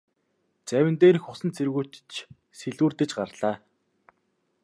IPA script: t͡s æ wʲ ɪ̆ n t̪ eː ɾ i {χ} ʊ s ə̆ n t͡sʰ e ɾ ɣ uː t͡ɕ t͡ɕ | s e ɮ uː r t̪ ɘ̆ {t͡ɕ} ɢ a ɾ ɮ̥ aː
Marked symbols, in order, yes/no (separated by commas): no, yes